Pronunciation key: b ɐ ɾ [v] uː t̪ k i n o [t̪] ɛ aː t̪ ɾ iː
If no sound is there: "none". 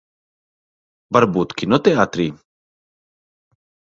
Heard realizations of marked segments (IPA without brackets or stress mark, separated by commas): b, t̪